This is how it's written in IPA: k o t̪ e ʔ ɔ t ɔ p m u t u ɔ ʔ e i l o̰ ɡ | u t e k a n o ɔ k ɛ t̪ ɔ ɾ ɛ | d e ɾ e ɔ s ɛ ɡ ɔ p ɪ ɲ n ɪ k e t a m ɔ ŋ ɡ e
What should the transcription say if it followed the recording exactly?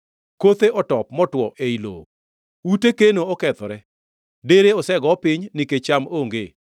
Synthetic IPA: k o t̪ e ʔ ɔ t ɔ p m ɔ t w ɔ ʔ e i l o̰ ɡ | u t e k e n o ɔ k ɛ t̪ ɔ ɾ ɛ | d e ɾ e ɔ s ɛ ɡ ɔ p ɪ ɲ n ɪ k e t͡ʃ a m o ŋ ɡ e